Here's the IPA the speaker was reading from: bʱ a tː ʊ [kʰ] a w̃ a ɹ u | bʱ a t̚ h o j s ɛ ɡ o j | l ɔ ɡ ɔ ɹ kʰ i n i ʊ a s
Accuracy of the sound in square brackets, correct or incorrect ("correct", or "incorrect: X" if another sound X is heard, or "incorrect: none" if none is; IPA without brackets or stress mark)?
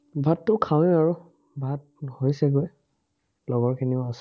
correct